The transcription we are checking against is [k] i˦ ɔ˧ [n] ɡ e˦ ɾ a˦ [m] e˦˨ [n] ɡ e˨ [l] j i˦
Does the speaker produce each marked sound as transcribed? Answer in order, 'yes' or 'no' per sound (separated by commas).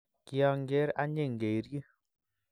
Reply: yes, no, no, no, no